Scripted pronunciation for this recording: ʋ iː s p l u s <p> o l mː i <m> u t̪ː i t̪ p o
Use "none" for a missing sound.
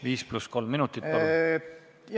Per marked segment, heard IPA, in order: k, n

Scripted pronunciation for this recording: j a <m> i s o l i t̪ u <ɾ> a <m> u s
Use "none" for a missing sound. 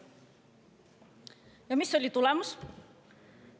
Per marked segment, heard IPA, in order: m, l, m

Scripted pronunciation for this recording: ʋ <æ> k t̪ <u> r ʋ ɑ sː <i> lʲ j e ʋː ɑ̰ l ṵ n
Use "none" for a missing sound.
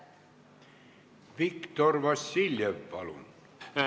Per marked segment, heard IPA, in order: i, o, i

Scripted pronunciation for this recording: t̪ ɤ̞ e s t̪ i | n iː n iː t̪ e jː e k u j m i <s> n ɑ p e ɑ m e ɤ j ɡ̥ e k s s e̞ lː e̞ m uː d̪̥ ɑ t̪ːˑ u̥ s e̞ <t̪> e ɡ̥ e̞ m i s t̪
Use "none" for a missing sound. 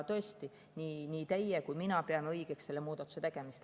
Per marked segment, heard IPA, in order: none, t̪

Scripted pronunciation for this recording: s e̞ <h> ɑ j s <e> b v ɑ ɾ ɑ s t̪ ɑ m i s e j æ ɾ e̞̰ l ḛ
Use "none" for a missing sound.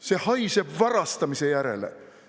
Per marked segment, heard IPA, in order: h, e

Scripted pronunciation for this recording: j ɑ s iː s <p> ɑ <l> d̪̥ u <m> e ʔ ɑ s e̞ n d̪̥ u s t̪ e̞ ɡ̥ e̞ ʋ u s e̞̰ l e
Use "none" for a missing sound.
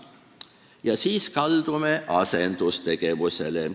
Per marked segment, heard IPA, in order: k, l, m

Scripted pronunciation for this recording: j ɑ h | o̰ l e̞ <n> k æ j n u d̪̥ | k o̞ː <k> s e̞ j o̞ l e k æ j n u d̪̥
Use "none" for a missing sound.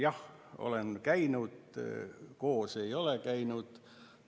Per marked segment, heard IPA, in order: n, none

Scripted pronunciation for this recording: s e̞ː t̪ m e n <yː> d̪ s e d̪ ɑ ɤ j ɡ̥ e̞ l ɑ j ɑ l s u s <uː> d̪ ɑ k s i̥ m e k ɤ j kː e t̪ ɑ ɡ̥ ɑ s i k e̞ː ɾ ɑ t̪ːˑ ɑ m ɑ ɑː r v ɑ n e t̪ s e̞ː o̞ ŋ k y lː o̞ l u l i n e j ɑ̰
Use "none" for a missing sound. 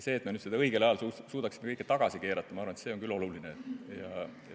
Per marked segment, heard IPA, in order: y, uː

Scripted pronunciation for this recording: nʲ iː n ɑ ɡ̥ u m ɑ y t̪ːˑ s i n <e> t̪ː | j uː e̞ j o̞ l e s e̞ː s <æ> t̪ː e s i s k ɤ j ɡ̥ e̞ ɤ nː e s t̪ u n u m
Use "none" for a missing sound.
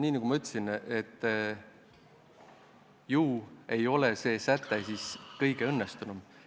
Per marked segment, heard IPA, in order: e, æ

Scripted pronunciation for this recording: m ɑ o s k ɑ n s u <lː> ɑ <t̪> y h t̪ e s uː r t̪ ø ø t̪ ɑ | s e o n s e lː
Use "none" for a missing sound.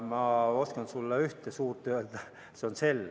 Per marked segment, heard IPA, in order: lː, none

